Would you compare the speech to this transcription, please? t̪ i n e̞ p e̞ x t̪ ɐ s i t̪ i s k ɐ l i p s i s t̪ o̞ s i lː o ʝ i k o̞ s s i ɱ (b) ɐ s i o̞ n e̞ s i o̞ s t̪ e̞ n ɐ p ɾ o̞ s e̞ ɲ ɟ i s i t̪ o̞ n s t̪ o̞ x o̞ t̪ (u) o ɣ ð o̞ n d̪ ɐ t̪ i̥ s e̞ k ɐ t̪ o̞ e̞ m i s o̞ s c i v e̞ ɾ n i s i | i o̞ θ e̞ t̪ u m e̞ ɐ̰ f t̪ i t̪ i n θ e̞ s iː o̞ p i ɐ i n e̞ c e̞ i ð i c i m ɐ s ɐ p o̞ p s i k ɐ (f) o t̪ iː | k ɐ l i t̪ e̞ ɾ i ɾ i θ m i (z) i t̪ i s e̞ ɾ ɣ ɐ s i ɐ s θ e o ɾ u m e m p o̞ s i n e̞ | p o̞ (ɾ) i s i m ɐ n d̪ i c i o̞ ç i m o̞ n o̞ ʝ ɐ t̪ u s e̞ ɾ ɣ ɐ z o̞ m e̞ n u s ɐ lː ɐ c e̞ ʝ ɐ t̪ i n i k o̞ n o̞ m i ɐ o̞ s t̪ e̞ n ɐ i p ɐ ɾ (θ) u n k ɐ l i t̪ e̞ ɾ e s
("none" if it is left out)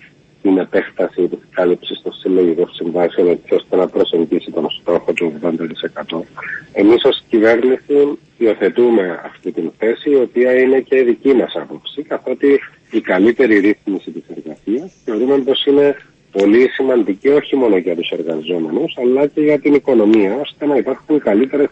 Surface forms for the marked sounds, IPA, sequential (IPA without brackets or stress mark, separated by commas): v, u, θ, s, l, x